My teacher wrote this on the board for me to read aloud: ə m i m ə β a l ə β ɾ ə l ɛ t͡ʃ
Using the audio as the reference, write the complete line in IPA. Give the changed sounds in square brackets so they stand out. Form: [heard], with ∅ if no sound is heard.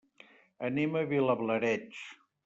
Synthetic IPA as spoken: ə [n] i m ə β [i] l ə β [l] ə [ɾ] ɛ t͡ʃ